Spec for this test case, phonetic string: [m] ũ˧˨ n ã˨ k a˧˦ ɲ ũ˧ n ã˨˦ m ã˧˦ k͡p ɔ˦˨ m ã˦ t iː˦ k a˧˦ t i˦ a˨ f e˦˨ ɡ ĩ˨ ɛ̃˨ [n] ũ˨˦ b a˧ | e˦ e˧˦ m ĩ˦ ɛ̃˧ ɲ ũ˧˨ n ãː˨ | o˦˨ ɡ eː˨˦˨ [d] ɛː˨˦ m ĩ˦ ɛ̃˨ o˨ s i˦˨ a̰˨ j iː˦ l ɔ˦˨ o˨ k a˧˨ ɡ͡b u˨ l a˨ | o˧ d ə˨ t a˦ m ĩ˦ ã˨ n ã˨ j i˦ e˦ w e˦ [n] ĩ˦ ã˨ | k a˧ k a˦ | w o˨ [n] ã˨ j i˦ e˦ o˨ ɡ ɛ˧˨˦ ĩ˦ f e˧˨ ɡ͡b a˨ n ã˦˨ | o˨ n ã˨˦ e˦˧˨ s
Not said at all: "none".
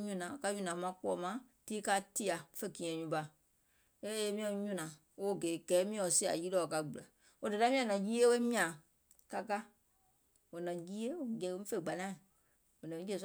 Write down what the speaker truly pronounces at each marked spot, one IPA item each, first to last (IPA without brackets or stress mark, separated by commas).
ɲ, ɲ, ɡ, m, n